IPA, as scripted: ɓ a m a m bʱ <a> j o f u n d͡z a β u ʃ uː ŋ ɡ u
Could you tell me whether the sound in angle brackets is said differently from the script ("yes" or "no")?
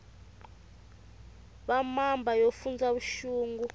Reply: no